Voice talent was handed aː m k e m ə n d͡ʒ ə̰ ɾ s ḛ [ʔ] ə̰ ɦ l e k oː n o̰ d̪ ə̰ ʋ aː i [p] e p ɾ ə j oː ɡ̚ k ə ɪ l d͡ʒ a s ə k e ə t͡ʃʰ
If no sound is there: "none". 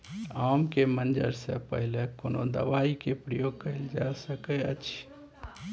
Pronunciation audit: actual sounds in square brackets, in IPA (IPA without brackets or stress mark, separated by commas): p, k